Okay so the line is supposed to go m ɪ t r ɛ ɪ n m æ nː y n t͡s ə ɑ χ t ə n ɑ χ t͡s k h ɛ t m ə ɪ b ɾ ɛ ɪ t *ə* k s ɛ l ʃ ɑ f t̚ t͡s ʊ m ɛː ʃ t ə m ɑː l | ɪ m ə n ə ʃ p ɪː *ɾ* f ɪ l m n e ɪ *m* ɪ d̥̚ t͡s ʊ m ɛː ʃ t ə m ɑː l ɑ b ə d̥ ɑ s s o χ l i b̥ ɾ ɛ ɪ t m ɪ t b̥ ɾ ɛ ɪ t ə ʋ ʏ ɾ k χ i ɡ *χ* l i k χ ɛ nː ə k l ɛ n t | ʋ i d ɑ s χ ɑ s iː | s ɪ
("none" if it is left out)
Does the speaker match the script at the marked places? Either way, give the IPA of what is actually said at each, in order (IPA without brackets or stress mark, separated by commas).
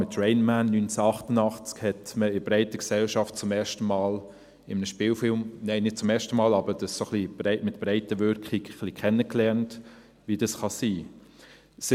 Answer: ə, l, n, χ